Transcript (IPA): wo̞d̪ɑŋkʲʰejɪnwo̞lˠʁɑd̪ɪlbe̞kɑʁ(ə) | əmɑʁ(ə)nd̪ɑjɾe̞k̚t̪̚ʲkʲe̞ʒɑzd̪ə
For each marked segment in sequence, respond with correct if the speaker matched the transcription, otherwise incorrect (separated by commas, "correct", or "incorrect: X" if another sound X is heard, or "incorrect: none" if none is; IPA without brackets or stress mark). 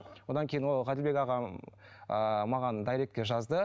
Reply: incorrect: ɑ, incorrect: ɑ